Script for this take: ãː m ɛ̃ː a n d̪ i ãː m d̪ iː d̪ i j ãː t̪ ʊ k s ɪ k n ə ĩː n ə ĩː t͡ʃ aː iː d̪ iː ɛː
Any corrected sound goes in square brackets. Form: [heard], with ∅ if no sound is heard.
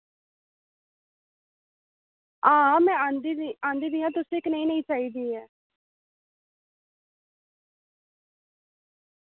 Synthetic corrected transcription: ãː m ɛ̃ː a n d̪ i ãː [n] d̪ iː d̪ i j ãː t̪ ʊ [∅] s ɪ k n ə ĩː n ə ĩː t͡ʃ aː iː d̪ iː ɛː

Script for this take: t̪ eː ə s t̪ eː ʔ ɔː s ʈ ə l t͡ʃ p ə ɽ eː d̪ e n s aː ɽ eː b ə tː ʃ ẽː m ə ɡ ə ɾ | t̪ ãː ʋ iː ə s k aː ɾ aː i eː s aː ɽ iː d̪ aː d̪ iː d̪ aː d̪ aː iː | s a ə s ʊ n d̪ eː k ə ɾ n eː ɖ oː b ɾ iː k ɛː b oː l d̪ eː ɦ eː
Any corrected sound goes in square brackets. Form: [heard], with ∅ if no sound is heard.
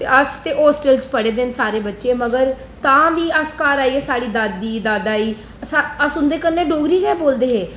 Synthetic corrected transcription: t̪ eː ə s t̪ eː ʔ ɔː s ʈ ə l t͡ʃ p ə ɽ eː d̪ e n s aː [ɾ] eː b ə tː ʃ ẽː m ə ɡ ə ɾ | t̪ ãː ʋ iː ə s k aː ɾ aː i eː s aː ɽ iː d̪ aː d̪ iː d̪ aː d̪ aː iː | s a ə s ʊ n d̪ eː k ə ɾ n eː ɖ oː [ɡ] ɾ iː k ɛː b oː l d̪ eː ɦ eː

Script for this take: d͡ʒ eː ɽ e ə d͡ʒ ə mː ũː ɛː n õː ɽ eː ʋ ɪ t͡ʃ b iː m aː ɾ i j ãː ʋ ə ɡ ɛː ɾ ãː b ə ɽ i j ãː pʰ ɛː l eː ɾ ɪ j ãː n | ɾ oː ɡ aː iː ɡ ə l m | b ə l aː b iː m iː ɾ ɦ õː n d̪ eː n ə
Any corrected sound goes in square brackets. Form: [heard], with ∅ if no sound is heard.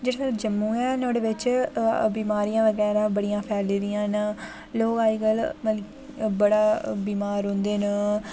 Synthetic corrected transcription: d͡ʒ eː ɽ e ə d͡ʒ ə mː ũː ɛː n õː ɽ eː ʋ ɪ t͡ʃ b iː m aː ɾ i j ãː ʋ ə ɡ ɛː ɾ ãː b ə ɽ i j ãː pʰ ɛː l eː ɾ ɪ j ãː n | [l] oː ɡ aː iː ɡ ə l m | b ə [ɽ] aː b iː m [aː] ɾ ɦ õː n d̪ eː n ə

